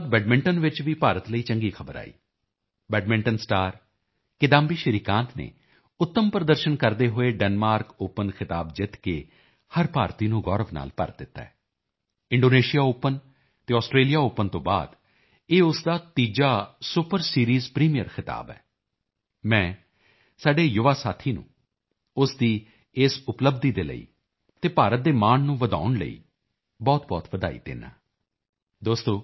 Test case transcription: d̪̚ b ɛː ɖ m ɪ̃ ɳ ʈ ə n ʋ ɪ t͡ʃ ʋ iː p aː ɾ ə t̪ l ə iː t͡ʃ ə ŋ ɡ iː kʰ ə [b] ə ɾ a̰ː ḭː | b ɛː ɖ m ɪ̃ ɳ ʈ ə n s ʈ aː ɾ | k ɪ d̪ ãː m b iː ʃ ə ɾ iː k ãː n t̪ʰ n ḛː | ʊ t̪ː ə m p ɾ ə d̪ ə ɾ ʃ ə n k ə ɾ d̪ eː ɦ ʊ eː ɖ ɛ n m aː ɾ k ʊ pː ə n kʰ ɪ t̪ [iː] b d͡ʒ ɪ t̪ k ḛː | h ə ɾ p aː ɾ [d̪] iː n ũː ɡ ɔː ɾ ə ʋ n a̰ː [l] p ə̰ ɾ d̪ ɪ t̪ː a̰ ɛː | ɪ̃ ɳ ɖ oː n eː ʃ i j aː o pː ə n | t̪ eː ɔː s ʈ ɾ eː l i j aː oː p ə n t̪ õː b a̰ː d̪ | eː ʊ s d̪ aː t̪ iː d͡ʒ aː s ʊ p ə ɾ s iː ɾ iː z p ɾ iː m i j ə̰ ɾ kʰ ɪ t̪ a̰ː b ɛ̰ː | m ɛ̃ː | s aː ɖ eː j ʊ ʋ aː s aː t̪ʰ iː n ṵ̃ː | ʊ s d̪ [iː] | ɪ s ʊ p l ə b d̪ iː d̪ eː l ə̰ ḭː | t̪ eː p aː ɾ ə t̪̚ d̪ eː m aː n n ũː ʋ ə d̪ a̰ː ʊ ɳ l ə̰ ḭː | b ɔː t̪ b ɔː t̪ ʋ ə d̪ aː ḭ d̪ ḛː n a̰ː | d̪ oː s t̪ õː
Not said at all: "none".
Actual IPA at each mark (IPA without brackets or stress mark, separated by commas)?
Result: b, aː, t̪, l, iː